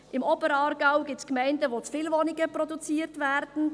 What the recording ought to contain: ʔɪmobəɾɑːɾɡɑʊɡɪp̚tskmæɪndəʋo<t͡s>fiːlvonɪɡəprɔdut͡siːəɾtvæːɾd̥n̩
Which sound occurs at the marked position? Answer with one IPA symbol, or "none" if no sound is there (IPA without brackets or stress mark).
t͡s